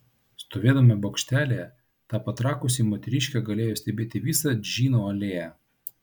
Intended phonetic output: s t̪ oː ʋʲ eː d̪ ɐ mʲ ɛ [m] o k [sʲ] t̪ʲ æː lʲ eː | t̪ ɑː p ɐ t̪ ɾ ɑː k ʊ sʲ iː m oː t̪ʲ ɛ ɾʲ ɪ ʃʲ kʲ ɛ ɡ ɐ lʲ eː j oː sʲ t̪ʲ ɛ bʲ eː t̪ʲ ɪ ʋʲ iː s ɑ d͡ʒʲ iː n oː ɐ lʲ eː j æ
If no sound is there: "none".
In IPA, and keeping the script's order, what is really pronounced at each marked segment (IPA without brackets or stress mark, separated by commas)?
b, ʃʲ